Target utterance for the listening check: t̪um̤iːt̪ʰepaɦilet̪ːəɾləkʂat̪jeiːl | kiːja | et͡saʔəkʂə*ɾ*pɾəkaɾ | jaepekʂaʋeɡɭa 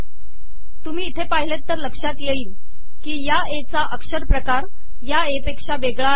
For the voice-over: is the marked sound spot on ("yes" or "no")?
yes